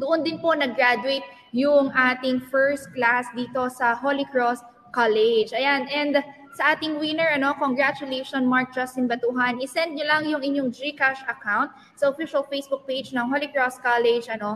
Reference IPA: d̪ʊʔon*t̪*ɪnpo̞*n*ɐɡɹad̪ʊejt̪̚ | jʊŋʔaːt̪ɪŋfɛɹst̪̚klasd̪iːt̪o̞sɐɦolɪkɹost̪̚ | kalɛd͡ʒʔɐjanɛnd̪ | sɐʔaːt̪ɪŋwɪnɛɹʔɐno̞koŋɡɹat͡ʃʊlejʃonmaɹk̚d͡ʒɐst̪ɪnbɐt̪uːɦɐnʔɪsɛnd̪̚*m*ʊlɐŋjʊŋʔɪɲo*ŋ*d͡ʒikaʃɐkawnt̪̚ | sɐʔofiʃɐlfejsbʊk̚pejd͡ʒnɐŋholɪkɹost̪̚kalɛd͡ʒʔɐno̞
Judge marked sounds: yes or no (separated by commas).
no, yes, no, yes